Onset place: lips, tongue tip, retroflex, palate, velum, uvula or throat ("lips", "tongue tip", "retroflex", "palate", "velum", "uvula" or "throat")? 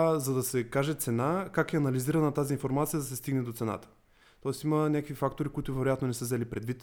tongue tip